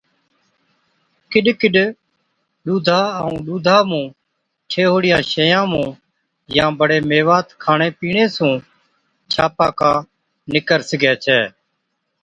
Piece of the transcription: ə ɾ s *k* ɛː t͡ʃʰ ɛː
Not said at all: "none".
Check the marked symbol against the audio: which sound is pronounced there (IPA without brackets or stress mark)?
ɡ